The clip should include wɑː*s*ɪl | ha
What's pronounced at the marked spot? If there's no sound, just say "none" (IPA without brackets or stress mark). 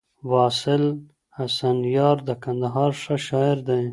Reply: s